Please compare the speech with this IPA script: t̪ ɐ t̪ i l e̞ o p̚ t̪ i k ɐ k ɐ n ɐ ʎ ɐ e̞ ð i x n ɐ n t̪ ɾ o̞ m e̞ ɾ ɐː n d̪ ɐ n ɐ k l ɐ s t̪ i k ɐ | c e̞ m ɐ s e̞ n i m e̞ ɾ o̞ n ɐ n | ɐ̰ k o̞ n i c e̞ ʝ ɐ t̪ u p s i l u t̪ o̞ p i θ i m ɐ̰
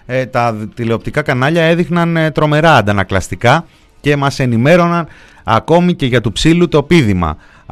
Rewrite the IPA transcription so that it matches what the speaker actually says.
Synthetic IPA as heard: t̪ ɐ t̪ i l e̞ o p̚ t̪ i k ɐ k ɐ n ɐ ʎ ɐ e̞ ð i x n ɐ n t̪ ɾ o̞ m e̞ ɾ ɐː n d̪ ɐ n ɐ k l ɐ s t̪ i k ɐ | c e̞ m ɐ s e̞ n i m e̞ ɾ o̞ n ɐ n | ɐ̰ k o̞ m i c e̞ ʝ ɐ t̪ u p s i l u t̪ o̞ p i ð i m ɐ̰